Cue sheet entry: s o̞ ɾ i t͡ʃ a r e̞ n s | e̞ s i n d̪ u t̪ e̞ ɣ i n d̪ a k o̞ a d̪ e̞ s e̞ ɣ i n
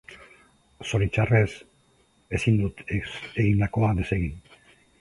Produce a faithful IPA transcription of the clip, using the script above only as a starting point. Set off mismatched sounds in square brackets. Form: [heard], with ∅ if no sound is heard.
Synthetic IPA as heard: s o̞ ɾ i t͡ʃ a r e̞ [∅] s | e̞ s i n d̪ u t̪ e̞ ɣ i n d̪ a k o̞ a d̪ e̞ s e̞ ɣ i n